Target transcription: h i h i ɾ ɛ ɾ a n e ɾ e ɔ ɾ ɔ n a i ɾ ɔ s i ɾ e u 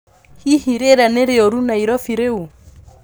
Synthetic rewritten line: h i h i ɾ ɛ ɾ a n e ɾ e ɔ ɾ u n a i ɾ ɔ f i ɾ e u